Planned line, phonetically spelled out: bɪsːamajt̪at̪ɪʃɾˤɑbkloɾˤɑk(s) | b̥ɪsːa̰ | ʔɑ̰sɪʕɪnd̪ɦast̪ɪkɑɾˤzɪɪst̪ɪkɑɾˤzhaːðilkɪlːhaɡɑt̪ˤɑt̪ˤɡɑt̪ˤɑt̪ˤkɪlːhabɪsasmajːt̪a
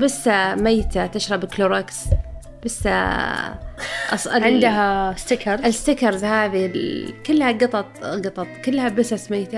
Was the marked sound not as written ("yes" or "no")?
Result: no